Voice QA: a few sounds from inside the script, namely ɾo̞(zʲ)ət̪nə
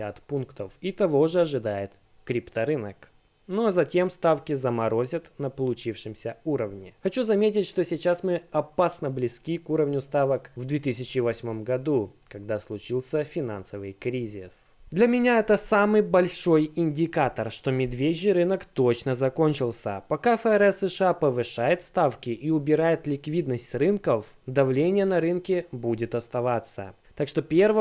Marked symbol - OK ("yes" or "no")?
yes